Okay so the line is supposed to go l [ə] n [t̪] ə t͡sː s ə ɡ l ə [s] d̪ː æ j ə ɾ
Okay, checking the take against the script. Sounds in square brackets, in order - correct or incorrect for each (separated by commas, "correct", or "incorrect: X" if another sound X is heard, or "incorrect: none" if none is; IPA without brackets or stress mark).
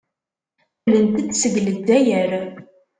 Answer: correct, correct, incorrect: none